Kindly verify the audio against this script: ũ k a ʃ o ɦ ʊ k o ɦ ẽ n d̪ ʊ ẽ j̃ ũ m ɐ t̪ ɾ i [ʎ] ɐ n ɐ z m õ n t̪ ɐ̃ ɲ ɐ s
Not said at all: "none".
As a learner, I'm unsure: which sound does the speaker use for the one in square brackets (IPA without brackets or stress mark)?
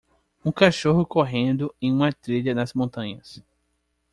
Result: ʎ